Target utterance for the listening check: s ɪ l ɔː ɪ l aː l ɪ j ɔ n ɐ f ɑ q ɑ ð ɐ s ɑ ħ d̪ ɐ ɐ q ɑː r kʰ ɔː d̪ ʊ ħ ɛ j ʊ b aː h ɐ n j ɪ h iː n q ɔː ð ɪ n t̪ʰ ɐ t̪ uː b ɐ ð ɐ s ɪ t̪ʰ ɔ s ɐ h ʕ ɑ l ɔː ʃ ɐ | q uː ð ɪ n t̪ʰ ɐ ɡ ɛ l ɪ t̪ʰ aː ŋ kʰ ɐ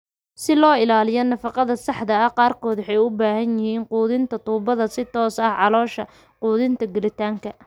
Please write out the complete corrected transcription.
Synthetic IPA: s ɪ l ɔː ɪ l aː l ɪ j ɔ n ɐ f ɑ q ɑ ð ɐ s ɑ ħ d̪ ɐ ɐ q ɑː r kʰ ɔː d̪ ʊ ħ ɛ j ʊ b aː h ɐ n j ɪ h iː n q uː ð ɪ n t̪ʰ ɐ t̪ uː b ɐ ð ɐ s ɪ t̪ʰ ɔː s ɐ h ʕ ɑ l ɔː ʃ ɐ | q uː ð ɪ n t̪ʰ ɐ ɡ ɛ l ɪ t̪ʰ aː ŋ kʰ ɐ